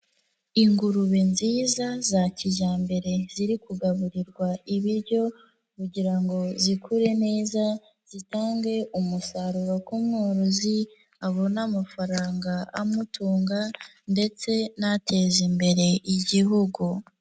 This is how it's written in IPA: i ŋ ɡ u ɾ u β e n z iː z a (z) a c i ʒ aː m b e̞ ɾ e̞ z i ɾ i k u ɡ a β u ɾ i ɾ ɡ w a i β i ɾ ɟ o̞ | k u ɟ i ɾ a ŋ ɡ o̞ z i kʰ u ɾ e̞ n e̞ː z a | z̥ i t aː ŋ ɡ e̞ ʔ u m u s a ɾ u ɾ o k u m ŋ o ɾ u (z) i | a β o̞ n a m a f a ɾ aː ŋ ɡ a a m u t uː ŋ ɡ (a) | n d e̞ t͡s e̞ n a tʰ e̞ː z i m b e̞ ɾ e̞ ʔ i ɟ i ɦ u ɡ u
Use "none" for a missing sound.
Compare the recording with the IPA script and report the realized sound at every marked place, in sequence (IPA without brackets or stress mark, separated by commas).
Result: z, z, a